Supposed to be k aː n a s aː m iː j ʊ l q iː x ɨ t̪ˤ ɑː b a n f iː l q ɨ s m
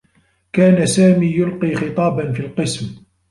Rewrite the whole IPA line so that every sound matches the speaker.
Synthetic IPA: k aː n a s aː m iː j ʊ l q iː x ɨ t̪ˤ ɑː b a n f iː l q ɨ s m